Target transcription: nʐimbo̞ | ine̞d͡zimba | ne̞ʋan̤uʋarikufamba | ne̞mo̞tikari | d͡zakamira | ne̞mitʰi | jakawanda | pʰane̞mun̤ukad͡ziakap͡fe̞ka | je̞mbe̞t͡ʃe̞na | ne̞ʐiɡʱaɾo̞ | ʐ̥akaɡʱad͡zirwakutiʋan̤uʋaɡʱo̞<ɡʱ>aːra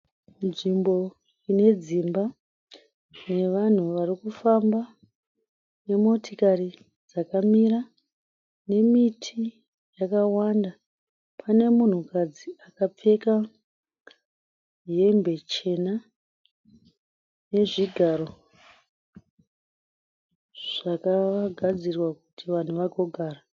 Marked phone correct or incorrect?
correct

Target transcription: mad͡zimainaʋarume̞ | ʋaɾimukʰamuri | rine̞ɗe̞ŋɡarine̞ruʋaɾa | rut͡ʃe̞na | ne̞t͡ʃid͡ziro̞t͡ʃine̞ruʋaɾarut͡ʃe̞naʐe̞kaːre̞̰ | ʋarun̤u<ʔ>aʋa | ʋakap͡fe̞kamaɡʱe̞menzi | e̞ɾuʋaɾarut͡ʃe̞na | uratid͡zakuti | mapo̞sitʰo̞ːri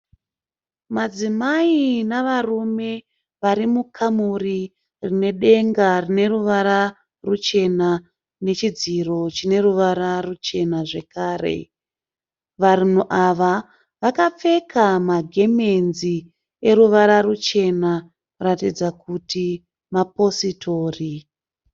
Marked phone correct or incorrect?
correct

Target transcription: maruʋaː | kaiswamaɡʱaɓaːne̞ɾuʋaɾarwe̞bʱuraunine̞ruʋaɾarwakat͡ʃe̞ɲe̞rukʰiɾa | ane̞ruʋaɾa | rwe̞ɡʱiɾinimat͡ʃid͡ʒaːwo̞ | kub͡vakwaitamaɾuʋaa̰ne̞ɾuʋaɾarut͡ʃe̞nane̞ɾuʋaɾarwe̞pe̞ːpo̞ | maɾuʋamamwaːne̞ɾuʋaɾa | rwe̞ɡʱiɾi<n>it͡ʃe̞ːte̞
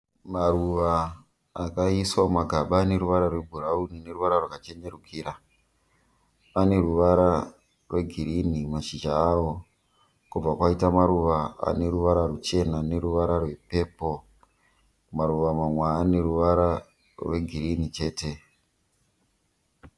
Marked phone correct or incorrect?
correct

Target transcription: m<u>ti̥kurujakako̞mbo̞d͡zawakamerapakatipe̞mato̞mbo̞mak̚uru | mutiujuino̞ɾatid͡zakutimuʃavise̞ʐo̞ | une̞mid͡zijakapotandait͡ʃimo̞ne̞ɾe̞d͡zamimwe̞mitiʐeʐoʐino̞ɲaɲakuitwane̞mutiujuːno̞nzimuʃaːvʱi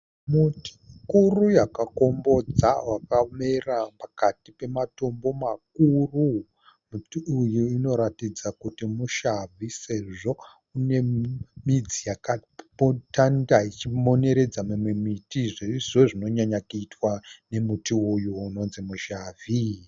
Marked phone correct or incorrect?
correct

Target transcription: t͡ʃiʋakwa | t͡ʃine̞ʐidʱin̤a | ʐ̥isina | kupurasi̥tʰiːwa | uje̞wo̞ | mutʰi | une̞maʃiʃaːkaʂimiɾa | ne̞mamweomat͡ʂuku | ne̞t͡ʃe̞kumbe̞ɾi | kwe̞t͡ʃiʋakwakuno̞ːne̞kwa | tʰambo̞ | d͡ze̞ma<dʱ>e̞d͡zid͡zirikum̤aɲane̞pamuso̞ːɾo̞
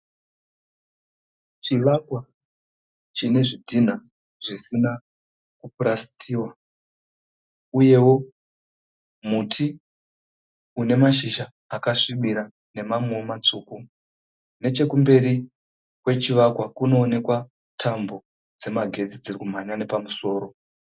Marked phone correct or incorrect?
incorrect: ɡʱ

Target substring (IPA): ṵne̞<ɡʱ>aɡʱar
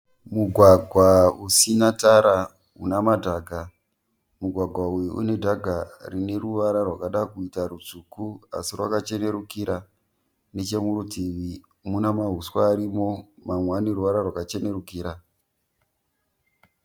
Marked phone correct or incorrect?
incorrect: dʱ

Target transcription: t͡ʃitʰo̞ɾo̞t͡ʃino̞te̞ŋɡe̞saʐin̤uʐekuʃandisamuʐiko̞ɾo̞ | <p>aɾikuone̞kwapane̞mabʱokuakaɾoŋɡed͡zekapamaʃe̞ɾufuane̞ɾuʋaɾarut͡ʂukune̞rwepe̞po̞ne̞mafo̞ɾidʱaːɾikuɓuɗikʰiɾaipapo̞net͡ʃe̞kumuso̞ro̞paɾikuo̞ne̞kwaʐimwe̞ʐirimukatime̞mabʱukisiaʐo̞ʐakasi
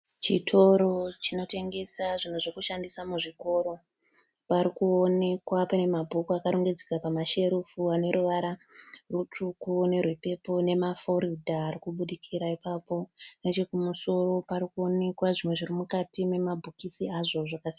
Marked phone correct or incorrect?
correct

